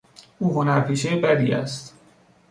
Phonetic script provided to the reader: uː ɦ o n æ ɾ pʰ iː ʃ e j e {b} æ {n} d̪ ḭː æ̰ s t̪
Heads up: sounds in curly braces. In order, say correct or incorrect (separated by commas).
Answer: correct, incorrect